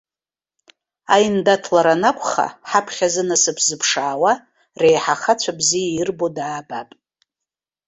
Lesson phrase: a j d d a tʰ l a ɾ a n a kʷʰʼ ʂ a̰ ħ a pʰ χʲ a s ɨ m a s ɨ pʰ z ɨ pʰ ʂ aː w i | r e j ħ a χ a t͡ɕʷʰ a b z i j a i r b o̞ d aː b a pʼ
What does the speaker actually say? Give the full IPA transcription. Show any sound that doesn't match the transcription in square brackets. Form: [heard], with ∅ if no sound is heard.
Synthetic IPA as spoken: a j [n] d a tʰ l a ɾ a n a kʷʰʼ [χ] a̰ ħ a pʰ χʲ a [z] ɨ [n] a s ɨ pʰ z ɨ pʰ ʂ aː w [a] | r e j ħ a χ a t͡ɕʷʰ a b z i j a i r b o̞ d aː b a pʼ